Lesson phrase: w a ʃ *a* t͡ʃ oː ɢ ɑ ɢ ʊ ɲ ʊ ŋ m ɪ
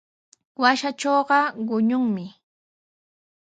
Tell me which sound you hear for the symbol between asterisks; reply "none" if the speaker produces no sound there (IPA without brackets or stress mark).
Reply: a